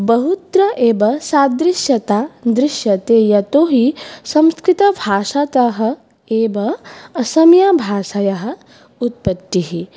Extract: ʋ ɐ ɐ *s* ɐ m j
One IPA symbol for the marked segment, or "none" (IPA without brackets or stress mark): s